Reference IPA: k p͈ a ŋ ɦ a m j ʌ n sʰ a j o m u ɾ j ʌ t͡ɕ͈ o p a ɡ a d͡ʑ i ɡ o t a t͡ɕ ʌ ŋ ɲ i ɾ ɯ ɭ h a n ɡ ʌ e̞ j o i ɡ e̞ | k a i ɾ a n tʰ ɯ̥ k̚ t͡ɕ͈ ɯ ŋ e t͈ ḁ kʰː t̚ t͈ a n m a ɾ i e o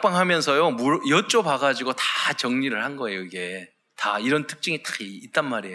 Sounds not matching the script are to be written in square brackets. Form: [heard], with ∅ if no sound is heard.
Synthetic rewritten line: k p͈ a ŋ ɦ a m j ʌ n sʰ [ʌ] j o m u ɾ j ʌ t͡ɕ͈ o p a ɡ a d͡ʑ i ɡ o t a t͡ɕ ʌ ŋ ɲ i ɾ ɯ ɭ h a n ɡ ʌ e̞ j o i ɡ e̞ | [t] a i ɾ [ʌ] n tʰ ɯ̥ k̚ t͡ɕ͈ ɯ ŋ [i] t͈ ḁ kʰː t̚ t͈ a n m a ɾ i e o